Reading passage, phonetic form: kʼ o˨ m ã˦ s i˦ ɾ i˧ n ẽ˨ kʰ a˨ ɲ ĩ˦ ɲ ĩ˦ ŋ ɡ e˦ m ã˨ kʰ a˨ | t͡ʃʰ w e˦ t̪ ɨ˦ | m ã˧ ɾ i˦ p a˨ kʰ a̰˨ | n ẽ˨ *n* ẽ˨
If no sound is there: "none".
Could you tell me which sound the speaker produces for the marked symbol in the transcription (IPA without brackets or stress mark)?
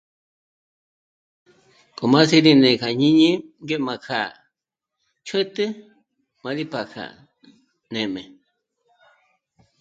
m